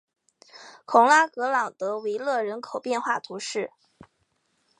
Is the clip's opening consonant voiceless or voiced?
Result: voiceless